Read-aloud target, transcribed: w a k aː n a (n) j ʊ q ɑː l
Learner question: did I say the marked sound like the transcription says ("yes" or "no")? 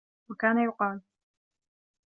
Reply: no